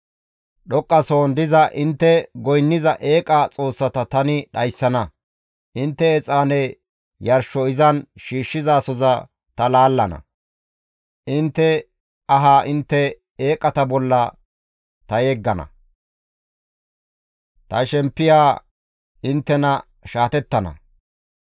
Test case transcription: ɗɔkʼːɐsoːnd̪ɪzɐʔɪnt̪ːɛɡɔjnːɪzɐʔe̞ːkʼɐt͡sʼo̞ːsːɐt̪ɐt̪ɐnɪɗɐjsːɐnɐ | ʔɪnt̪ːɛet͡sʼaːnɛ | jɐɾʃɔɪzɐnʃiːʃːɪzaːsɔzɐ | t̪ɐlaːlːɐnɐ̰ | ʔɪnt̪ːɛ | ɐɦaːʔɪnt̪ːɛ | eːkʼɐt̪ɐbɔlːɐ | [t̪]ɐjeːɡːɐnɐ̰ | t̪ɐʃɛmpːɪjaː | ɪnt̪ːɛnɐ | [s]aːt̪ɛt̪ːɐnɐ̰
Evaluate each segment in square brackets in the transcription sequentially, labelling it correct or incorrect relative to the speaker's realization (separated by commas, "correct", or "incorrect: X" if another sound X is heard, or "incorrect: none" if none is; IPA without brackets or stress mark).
correct, incorrect: ʃ